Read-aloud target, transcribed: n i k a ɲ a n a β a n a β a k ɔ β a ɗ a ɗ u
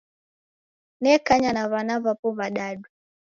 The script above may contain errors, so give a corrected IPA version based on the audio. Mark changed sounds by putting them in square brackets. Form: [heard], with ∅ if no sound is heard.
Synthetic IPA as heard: n [ɛ] k a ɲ a n a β a n a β a [p] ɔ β a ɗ a ɗ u